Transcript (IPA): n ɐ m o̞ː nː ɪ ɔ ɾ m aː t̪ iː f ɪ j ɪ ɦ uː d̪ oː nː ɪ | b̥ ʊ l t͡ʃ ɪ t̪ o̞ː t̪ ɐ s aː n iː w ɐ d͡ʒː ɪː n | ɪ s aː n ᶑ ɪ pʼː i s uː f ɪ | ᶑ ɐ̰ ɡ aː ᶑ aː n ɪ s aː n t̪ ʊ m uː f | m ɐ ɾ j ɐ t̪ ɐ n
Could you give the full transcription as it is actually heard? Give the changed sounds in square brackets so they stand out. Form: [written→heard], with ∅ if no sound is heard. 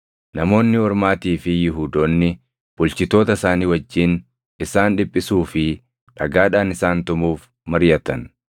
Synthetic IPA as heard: n ɐ m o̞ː nː ɪ ɔ ɾ m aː t̪ iː f ɪ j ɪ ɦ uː d̪ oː nː ɪ | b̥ ʊ l t͡ʃ ɪ t̪ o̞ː t̪ ɐ s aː n iː w ɐ d͡ʒː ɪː n | ɪ s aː n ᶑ ɪ pʼː [i→ɪ] s uː f ɪ | ᶑ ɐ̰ ɡ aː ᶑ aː n ɪ s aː n t̪ ʊ m uː f | m ɐ ɾ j ɐ t̪ ɐ n